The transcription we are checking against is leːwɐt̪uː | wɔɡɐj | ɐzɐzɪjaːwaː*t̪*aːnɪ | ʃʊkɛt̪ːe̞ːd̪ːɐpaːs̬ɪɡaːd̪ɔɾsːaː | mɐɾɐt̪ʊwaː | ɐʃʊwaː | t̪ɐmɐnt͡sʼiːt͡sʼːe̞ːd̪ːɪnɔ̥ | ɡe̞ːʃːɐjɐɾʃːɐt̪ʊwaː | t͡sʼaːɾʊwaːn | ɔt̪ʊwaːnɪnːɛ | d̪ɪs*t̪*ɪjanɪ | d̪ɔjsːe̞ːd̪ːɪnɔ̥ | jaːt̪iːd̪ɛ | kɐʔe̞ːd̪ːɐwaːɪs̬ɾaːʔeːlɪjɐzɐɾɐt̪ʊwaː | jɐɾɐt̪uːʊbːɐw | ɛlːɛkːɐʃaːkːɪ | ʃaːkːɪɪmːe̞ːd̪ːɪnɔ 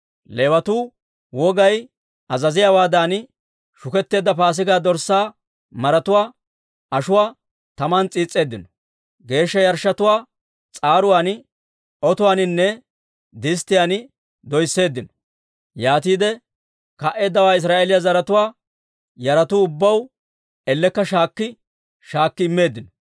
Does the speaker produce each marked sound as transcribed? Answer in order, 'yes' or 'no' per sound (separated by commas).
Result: no, yes